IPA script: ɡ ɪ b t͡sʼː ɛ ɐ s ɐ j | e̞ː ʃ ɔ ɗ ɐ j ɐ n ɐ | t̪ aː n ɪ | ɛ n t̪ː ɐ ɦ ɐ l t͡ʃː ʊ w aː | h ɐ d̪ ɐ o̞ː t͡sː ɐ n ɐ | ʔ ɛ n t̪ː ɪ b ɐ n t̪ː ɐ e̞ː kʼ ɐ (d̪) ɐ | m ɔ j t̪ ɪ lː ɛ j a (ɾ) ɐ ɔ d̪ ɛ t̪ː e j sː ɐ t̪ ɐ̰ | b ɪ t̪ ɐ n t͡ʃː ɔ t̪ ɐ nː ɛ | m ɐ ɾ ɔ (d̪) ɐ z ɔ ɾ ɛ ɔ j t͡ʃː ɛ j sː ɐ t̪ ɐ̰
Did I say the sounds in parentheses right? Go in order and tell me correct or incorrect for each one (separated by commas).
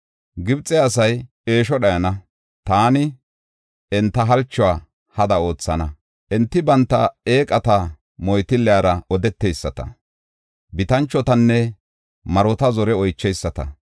incorrect, correct, incorrect